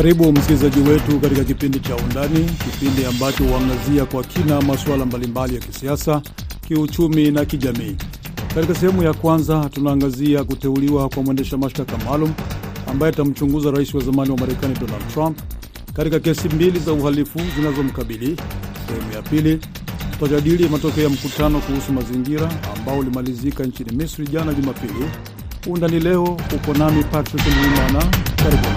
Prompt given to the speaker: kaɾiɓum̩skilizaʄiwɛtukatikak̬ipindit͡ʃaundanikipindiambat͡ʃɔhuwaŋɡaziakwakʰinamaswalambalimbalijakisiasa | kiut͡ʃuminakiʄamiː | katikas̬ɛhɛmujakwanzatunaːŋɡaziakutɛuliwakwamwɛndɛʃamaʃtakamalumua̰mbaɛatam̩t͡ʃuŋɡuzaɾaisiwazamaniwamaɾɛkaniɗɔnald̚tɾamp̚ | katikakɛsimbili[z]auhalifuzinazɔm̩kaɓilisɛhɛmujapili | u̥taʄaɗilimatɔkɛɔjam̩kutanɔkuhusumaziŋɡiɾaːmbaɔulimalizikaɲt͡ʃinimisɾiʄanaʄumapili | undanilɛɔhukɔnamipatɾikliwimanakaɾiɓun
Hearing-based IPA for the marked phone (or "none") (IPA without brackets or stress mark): z